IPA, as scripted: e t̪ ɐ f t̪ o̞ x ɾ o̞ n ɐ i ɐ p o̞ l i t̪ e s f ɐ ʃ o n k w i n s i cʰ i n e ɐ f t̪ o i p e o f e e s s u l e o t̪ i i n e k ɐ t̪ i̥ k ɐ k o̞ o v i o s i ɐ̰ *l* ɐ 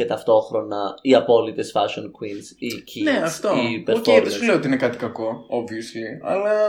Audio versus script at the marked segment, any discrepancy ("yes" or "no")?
no